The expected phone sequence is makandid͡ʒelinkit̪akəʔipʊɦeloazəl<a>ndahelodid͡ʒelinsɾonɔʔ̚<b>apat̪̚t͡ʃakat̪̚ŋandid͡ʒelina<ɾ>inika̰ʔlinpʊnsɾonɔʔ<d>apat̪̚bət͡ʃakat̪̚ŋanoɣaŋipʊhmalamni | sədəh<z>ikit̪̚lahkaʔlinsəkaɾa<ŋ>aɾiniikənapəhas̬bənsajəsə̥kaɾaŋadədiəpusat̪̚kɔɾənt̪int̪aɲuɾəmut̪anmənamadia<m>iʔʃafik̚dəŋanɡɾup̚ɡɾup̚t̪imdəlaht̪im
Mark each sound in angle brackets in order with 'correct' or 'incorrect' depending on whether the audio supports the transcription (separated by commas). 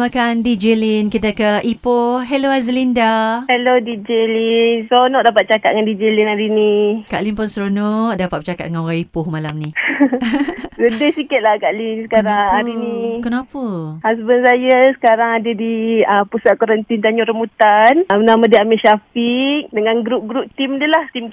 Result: incorrect, incorrect, correct, correct, incorrect, correct, correct